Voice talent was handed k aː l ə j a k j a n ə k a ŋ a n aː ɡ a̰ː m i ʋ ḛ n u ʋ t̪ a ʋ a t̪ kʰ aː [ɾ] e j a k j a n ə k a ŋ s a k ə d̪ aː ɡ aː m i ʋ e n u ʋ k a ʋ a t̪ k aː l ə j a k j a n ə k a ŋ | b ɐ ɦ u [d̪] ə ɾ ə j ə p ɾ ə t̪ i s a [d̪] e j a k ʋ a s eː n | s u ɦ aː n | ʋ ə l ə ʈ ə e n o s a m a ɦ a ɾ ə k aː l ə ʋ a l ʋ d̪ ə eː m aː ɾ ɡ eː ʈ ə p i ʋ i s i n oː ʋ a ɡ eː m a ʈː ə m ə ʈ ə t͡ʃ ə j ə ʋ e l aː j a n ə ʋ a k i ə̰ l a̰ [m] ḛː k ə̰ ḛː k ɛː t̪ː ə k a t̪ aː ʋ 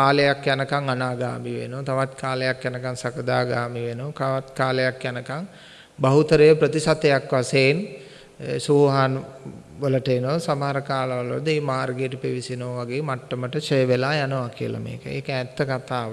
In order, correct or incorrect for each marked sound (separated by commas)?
incorrect, incorrect, incorrect, correct